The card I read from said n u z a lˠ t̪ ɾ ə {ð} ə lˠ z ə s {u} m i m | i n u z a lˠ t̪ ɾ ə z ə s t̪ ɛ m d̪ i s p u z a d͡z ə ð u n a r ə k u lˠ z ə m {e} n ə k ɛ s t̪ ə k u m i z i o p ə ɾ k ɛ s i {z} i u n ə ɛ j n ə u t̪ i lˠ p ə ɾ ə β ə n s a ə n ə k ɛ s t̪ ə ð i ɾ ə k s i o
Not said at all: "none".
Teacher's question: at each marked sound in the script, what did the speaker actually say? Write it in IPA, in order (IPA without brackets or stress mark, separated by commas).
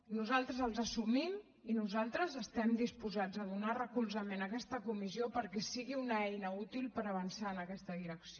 z, u, e, ɣ